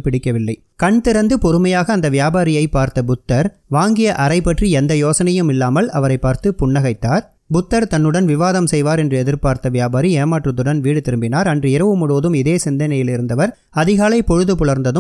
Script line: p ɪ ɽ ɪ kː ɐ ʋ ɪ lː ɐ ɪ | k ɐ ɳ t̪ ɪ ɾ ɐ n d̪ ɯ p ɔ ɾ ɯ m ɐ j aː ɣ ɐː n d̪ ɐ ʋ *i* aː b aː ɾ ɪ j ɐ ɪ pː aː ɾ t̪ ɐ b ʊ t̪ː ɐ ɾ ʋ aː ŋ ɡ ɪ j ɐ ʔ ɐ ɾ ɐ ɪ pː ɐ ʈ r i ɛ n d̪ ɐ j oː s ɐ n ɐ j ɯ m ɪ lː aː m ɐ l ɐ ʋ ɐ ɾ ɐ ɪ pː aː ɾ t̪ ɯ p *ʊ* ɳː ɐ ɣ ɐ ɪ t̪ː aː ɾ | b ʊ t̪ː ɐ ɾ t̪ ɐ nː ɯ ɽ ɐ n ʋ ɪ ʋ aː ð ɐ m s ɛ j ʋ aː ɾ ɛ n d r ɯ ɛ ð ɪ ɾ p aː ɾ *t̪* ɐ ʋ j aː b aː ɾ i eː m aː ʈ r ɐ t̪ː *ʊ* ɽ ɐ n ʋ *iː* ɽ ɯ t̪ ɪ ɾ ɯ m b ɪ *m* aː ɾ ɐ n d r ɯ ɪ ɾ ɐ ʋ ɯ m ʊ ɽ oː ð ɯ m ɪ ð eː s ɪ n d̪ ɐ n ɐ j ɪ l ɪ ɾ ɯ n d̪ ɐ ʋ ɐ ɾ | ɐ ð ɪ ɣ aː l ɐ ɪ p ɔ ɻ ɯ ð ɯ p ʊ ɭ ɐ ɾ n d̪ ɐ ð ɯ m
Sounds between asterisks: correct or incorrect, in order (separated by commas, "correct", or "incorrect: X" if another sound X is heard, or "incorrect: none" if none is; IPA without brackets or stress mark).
incorrect: j, correct, correct, incorrect: ɯ, correct, incorrect: n